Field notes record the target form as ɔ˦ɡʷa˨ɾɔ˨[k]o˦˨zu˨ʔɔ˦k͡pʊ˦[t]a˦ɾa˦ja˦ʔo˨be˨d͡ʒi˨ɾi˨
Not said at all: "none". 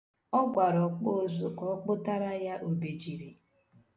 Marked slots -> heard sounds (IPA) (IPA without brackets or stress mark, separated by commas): k͡p, t